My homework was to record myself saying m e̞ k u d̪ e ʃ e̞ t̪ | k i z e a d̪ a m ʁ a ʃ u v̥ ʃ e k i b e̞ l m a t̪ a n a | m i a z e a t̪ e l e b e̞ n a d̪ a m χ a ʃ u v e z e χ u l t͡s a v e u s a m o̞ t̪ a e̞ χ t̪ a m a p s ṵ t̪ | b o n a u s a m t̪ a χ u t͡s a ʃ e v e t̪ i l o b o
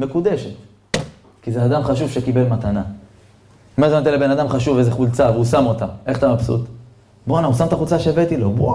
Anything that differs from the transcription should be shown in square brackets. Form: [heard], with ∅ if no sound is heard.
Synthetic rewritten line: m e̞ k u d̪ e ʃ e̞ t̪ | k i z e a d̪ a m [χ] a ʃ u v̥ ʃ e k i b e̞ l m a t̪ a n a | m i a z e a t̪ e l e b e̞ n a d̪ a m χ a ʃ u v e z e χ u l t͡s a v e u s a m o̞ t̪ a e̞ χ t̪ a m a p s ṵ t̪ | b o n a u s a m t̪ a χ u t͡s a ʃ e v e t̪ i l o b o